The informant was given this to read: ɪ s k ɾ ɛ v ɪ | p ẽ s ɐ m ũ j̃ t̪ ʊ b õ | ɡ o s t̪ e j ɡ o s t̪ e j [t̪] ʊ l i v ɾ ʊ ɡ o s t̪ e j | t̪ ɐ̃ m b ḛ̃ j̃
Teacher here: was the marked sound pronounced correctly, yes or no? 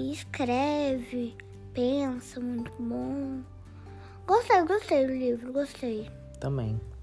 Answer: no